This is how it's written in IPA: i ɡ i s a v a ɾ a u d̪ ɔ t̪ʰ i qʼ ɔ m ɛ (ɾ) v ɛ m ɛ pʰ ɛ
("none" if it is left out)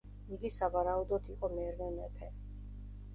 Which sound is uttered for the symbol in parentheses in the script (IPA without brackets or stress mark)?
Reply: ɾ